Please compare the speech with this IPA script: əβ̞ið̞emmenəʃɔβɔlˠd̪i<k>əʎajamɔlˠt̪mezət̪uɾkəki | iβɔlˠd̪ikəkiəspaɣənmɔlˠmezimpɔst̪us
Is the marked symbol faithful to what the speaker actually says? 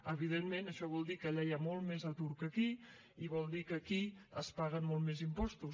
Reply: yes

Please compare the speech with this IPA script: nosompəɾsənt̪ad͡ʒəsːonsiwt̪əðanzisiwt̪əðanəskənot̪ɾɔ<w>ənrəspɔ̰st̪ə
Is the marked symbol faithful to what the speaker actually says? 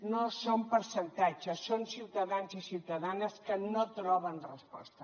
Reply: no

